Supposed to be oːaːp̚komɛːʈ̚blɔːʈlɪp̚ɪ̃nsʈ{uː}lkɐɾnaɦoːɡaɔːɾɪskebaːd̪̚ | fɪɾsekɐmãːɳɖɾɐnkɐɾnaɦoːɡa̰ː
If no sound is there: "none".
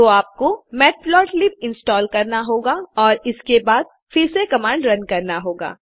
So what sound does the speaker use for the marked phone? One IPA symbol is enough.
ɔː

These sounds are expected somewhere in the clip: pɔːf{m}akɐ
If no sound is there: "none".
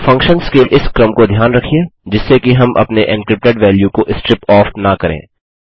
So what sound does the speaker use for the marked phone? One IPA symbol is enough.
n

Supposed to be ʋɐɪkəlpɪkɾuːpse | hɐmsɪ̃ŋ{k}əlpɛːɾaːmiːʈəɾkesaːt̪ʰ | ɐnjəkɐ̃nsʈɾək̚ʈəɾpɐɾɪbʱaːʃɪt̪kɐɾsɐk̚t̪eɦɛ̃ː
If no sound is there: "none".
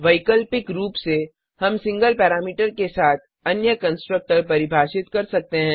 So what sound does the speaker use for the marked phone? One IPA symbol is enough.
ɡ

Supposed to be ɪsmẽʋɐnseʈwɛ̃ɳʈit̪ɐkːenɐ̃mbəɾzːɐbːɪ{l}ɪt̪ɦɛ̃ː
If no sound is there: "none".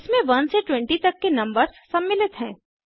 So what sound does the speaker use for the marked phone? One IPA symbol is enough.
l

